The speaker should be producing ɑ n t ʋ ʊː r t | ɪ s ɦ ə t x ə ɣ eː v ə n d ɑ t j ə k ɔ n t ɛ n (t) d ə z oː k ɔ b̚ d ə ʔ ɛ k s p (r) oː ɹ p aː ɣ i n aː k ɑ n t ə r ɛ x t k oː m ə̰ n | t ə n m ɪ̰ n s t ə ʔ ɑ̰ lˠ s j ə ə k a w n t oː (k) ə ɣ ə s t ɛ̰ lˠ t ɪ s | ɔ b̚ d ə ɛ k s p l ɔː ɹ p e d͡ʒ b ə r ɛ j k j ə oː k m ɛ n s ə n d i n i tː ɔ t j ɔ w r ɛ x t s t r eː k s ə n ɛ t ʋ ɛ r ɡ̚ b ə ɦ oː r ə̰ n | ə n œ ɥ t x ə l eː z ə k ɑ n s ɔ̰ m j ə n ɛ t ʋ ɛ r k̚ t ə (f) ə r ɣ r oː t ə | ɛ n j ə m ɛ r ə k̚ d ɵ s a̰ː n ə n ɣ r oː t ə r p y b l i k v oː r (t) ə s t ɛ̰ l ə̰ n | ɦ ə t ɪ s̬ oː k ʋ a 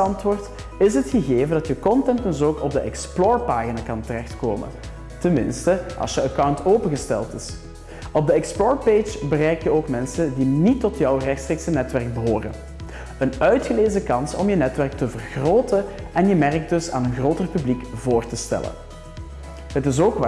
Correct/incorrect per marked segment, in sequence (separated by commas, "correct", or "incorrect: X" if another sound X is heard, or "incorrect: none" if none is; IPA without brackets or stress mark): correct, incorrect: l, incorrect: p, incorrect: v, correct